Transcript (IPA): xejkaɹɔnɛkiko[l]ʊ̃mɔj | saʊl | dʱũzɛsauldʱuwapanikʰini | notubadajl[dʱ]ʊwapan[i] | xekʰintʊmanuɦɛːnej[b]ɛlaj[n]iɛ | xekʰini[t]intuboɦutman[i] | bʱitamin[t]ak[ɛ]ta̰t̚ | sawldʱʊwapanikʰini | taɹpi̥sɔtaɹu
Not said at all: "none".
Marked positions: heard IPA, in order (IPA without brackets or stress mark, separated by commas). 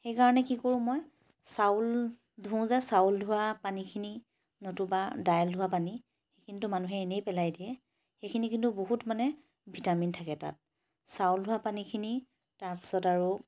ɹ, dʱ, i, p, d, k, ɛ, tʰ, ɛ